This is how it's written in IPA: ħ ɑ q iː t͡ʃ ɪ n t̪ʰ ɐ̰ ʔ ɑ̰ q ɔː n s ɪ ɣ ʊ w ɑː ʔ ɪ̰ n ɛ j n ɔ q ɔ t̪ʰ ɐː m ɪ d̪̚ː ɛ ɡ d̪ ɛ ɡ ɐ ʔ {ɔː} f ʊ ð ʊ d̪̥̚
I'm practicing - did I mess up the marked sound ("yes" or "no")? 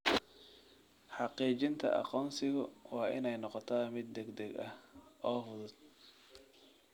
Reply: no